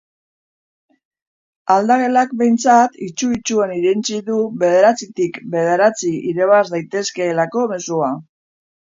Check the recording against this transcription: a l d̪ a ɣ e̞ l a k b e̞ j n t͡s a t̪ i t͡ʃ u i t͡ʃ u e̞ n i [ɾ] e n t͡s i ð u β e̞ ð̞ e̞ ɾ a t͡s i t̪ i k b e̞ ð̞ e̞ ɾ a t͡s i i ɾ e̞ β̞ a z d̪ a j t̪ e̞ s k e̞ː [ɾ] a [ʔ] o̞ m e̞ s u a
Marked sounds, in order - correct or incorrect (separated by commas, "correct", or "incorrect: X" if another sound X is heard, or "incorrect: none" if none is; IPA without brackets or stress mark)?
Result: correct, incorrect: l, incorrect: k